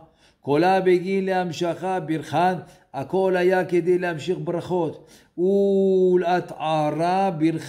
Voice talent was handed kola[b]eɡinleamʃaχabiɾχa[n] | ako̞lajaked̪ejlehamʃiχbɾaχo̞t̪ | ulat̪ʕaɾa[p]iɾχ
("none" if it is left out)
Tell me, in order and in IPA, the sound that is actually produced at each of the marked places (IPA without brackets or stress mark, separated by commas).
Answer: b, n, b